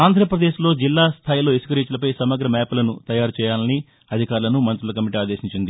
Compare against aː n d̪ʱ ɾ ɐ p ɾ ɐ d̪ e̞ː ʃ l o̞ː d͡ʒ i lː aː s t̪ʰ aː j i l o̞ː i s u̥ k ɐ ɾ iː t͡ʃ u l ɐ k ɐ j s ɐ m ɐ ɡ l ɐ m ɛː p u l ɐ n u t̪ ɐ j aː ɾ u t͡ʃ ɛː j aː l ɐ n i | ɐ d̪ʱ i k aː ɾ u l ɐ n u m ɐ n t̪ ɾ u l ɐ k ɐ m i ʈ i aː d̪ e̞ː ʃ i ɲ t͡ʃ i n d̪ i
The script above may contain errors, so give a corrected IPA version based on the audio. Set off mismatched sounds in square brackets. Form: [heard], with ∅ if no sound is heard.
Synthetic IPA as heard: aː n d̪ʱ ɾ ɐ p ɾ ɐ d̪ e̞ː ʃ l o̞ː d͡ʒ i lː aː s t̪ʰ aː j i l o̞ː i s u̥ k ɐ ɾ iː t͡ʃ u l ɐ [p] ɐ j s ɐ m ɐ ɡ [ɾ] ɐ m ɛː p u l ɐ n u t̪ ɐ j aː ɾ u t͡ʃ ɛː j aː l ɐ n i | ɐ d̪ʱ i k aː ɾ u l ɐ n u m ɐ n t̪ ɾ u l ɐ k ɐ m i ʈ i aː d̪ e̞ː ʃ i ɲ t͡ʃ i n d̪ i